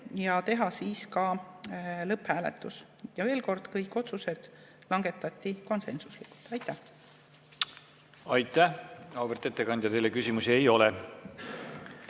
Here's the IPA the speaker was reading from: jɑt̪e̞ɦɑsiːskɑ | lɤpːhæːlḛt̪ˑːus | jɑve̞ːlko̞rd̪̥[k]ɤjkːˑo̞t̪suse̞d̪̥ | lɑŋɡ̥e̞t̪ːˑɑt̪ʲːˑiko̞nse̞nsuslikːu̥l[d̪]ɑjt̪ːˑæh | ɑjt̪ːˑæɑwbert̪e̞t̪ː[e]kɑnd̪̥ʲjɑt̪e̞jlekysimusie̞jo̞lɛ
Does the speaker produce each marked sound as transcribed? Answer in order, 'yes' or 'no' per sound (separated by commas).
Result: yes, no, yes